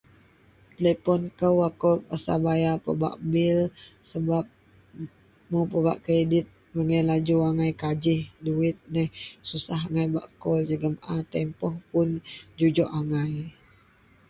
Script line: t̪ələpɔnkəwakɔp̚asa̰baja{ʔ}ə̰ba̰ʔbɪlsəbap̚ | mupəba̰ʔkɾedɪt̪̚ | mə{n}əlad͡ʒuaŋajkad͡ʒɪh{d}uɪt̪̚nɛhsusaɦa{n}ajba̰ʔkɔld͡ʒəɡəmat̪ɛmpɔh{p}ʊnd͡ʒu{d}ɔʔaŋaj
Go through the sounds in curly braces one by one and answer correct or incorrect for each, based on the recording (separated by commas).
incorrect, incorrect, correct, incorrect, correct, incorrect